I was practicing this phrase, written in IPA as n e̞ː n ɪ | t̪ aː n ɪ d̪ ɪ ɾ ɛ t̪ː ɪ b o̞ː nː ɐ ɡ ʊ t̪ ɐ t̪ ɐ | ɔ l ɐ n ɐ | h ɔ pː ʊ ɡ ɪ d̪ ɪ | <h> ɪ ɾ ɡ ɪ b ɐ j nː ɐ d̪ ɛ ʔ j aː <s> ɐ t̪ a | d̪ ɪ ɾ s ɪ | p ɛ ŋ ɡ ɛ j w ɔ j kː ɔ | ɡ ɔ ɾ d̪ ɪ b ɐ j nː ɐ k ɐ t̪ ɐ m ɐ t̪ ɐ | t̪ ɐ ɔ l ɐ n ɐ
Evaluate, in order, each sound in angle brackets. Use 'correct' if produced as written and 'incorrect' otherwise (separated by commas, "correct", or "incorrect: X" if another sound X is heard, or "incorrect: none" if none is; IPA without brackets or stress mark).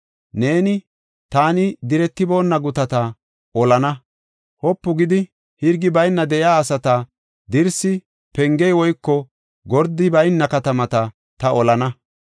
correct, correct